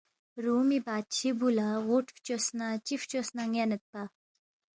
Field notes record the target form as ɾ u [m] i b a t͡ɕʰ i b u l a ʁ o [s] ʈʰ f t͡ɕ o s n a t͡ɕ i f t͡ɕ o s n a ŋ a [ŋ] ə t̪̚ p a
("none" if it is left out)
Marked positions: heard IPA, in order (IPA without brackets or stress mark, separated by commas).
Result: m, none, n